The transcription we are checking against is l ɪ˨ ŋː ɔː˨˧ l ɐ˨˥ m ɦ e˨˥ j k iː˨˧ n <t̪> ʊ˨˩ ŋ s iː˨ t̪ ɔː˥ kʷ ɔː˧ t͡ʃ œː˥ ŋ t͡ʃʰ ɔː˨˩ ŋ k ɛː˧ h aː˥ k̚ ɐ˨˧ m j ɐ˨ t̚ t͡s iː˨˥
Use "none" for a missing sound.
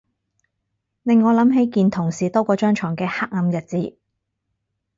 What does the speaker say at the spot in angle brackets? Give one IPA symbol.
t̪ʰ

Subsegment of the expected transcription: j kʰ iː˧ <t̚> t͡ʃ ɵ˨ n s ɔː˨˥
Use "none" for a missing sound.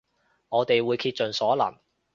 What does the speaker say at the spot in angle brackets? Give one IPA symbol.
t̚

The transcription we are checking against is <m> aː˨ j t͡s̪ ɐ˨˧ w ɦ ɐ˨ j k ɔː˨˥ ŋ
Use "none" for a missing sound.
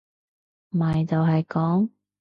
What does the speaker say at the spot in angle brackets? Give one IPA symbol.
m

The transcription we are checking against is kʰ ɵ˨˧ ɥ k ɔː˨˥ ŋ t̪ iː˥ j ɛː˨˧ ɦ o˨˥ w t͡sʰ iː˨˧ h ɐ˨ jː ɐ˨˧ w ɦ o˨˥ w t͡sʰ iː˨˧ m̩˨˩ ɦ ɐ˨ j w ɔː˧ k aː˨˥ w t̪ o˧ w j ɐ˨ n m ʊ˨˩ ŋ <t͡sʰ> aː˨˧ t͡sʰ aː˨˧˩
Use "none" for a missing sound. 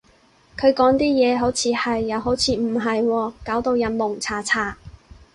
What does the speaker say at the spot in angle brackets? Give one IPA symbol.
t͡sʰ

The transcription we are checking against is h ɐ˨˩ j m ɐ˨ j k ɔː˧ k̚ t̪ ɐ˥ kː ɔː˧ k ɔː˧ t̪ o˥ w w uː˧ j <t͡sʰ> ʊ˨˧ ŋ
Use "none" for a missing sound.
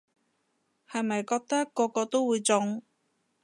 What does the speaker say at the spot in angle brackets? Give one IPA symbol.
t͡s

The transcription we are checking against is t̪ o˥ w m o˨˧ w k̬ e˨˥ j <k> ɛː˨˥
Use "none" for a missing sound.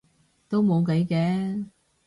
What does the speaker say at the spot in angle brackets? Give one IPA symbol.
k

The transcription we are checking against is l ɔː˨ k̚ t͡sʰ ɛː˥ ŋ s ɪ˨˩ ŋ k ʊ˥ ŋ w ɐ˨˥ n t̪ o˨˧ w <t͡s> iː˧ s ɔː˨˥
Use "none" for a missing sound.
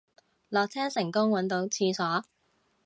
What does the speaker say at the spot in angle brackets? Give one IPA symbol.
t͡sʰ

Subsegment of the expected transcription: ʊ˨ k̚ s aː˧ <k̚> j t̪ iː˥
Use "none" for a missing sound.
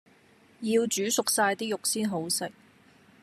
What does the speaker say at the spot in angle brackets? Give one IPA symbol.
none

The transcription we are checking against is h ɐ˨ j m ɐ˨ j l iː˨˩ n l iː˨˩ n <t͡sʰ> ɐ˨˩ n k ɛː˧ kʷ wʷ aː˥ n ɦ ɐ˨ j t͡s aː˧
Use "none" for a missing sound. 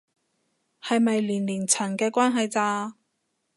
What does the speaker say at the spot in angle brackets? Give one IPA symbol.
t͡sʰ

